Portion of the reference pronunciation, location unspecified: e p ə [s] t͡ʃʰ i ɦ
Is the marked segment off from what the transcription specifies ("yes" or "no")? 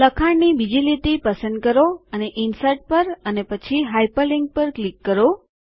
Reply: yes